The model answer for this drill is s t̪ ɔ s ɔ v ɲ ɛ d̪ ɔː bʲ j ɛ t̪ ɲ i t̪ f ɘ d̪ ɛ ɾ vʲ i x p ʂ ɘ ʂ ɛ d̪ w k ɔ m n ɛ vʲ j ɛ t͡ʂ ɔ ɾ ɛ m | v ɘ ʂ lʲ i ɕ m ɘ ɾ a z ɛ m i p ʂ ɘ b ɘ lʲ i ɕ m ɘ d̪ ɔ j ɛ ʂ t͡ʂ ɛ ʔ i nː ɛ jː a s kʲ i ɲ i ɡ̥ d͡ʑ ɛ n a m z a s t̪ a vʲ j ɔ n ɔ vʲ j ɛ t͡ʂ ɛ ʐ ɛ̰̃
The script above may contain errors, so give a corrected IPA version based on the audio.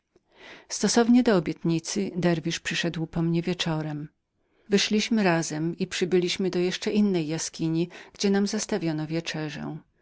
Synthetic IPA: s t̪ ɔ s ɔ v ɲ ɛ d̪ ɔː bʲ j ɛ t̪ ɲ i t̪ s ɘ d̪ ɛ ɾ vʲ i ʂ p ʂ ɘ ʂ ɛ d̪ w p ɔ m ɲ ɛ vʲ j ɛ t͡ʂ ɔ ɾ ɛ m | v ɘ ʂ lʲ i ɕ m ɘ ɾ a z ɛ m i p ʂ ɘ b ɘ lʲ i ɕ m ɘ d̪ ɔ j ɛ ʂ t͡ʂ ɛ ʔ i nː ɛ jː a s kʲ i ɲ i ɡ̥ d͡ʑ ɛ n a m z a s t̪ a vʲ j ɔ n ɔ vʲ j ɛ t͡ʂ ɛ ʐ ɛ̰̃